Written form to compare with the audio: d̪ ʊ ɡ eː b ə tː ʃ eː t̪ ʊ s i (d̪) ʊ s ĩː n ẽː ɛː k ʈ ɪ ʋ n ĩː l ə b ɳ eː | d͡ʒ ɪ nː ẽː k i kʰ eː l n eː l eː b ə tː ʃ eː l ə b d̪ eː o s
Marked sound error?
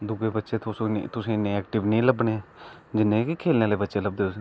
yes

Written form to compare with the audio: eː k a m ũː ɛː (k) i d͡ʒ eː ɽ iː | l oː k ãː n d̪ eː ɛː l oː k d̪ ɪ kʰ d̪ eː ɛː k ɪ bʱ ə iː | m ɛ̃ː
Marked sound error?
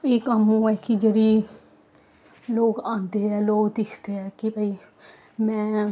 no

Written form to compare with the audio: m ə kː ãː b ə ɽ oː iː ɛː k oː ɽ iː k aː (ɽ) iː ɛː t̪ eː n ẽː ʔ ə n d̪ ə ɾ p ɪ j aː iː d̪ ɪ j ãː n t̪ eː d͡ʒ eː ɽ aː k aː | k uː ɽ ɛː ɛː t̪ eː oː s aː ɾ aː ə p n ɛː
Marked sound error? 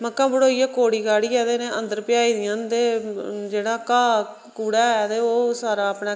no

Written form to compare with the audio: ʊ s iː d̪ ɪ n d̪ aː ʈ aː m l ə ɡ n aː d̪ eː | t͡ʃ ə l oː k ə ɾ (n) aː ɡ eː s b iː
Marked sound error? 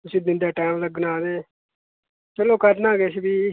no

